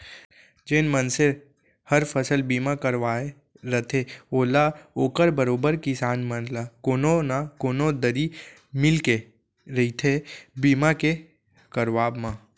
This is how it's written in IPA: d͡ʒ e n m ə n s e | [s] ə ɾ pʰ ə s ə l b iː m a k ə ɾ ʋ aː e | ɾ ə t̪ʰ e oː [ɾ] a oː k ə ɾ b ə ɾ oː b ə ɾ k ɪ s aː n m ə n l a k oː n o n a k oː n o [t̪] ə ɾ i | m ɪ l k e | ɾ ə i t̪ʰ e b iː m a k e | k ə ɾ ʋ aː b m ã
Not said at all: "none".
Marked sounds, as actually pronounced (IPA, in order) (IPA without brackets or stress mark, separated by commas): h, l, d̪